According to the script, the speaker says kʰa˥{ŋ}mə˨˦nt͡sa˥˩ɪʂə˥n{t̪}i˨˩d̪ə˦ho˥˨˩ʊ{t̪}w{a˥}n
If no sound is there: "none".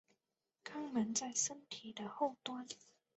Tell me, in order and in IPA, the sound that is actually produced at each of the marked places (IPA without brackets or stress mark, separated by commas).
ŋ, t̪ʰ, t̪, a˥